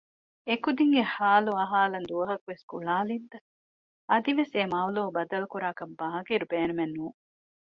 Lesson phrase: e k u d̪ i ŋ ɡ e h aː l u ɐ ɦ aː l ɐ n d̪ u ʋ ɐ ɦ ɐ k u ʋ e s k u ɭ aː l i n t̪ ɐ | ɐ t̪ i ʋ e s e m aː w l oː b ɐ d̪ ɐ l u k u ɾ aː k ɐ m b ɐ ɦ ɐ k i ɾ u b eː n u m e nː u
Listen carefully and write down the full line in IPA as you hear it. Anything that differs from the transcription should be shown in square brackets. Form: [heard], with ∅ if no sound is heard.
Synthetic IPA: e k u d̪ i ŋ ɡ e h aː l u ɐ ɦ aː l ɐ n d̪ u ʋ ɐ ɦ ɐ k u ʋ e s k u ɭ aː l i n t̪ ɐ | ɐ [d̪] i ʋ e s e m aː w l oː b ɐ d̪ ɐ l u k u ɾ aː k ɐ m b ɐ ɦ ɐ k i ɾ u b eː n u m e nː [uː]